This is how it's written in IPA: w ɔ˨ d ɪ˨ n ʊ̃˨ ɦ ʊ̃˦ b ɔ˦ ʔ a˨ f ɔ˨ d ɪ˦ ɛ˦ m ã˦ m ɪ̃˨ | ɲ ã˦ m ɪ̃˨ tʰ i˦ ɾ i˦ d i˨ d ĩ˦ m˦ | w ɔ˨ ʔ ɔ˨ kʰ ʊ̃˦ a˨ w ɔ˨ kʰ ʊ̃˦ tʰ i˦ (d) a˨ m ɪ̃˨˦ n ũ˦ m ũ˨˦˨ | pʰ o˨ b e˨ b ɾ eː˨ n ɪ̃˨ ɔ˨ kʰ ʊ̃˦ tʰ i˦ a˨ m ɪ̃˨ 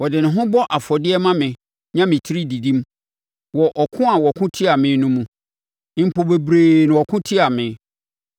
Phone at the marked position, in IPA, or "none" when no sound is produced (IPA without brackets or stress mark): none